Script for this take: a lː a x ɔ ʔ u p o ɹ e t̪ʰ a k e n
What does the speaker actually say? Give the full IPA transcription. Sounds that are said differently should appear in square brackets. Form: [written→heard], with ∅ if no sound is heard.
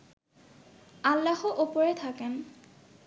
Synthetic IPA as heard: a lː a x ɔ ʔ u p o ɹ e t̪ʰ a k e n